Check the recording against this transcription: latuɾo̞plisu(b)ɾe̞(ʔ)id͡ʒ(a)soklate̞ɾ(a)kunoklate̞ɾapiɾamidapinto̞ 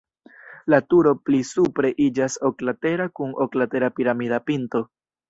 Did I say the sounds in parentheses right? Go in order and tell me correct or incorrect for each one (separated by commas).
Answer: incorrect, correct, correct, correct